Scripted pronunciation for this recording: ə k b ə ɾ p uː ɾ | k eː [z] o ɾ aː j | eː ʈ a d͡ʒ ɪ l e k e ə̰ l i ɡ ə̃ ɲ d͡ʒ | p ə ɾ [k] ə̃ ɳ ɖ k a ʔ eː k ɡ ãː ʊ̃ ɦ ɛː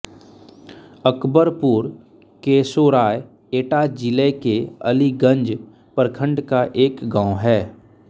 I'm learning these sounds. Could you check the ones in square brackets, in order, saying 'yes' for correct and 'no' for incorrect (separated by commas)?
no, no